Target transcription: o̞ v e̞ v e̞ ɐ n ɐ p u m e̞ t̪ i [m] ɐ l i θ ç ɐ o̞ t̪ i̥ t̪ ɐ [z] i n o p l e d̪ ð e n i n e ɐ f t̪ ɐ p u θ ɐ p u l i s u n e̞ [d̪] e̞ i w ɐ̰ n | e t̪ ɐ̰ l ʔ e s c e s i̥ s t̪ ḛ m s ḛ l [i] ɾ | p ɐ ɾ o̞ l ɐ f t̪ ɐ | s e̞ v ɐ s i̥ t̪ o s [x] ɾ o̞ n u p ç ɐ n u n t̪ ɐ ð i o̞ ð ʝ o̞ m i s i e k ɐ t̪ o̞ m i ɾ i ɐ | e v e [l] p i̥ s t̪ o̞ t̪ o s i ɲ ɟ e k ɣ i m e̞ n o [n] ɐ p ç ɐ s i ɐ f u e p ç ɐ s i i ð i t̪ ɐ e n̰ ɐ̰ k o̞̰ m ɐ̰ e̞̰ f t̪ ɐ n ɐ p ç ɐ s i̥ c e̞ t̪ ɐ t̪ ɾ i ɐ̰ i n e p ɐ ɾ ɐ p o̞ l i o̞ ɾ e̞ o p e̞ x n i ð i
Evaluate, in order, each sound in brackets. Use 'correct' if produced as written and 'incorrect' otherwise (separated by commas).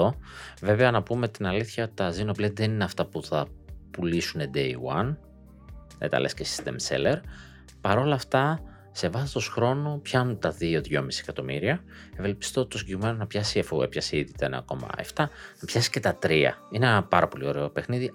incorrect, correct, correct, incorrect, correct, correct, correct